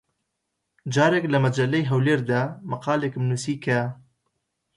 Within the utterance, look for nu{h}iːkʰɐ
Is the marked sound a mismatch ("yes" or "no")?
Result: yes